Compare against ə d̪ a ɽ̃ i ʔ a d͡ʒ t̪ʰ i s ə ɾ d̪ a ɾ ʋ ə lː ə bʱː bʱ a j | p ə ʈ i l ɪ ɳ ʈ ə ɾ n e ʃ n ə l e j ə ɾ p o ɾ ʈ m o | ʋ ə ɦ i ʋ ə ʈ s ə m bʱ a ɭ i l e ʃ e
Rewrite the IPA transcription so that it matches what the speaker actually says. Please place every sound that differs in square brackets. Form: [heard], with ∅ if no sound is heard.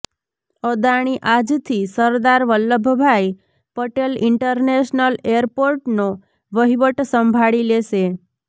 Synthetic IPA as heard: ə d̪ a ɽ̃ i ʔ a d͡ʒ t̪ʰ i s ə ɾ d̪ a ɾ ʋ ə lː ə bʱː bʱ a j | p ə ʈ [e] l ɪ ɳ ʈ ə ɾ n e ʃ n ə l e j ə ɾ p o ɾ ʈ [n] o | ʋ ə ɦ i ʋ ə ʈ s ə m bʱ a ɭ i l e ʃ e